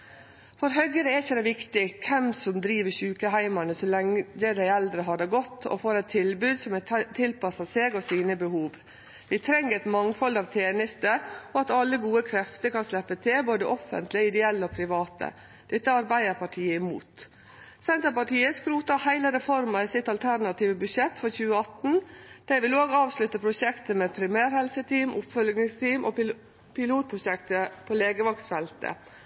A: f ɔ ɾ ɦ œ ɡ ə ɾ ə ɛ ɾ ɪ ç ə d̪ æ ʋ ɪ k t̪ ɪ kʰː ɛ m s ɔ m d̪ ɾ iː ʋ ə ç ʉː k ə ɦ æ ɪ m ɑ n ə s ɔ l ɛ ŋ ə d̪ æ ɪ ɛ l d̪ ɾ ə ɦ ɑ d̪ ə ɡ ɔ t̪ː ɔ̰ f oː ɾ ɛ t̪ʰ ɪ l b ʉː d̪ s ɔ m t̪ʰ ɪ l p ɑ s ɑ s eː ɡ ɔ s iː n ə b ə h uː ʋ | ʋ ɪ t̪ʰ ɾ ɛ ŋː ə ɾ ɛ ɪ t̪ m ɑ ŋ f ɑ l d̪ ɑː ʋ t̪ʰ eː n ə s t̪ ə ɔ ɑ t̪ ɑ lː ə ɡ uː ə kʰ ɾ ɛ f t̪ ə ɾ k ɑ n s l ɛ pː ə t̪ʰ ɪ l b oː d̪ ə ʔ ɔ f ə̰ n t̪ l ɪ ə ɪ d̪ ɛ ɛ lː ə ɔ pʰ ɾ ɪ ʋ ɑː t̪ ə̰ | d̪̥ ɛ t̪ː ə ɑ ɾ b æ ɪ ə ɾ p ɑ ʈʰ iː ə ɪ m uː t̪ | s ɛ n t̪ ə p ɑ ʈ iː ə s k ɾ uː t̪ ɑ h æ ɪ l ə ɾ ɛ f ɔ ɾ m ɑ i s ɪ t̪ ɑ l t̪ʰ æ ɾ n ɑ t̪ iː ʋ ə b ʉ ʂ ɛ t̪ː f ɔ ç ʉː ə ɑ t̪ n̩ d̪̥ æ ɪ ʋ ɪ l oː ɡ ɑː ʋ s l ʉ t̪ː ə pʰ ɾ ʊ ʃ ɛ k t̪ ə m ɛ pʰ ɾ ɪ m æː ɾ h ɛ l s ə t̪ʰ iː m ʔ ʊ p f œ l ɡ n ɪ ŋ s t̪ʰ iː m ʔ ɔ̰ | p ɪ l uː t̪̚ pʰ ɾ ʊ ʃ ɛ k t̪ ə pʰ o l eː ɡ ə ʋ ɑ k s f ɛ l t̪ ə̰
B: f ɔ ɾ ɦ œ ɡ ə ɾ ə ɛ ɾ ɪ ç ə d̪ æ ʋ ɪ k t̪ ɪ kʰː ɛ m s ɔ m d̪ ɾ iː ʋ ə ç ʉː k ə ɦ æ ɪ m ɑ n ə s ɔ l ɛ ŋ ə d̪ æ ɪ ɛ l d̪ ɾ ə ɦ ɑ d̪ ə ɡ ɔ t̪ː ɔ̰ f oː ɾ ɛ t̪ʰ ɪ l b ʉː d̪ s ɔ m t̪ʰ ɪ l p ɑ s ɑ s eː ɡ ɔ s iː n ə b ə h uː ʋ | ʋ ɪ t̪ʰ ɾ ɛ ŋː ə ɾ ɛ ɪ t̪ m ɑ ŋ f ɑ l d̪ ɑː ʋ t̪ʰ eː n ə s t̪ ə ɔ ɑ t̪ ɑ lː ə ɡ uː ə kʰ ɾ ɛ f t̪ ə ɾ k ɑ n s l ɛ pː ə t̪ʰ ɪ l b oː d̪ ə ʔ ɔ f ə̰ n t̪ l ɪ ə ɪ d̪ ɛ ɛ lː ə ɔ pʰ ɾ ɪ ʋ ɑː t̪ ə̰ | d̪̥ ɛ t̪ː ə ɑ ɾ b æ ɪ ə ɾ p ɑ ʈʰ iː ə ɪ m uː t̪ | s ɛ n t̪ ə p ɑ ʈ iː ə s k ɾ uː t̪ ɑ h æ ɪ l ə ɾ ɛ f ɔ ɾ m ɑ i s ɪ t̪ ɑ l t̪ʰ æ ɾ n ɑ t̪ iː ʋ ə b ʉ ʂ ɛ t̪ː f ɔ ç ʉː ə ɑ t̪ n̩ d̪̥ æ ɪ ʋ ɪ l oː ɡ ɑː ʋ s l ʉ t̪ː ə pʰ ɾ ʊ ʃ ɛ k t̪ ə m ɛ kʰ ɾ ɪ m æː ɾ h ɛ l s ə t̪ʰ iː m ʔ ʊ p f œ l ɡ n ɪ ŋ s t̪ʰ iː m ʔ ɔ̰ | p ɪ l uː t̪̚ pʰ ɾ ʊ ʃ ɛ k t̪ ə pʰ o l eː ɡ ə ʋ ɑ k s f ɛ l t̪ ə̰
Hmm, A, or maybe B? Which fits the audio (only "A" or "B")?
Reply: A